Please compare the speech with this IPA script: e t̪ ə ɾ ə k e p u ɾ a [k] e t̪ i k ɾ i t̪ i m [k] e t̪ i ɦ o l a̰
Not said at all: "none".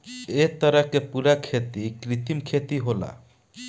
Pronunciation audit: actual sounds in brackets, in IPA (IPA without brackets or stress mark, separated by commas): kʰ, kʰ